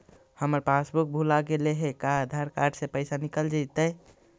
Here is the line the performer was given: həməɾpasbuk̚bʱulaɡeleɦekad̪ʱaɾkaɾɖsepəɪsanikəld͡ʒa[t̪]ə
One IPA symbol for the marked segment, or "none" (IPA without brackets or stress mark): t̪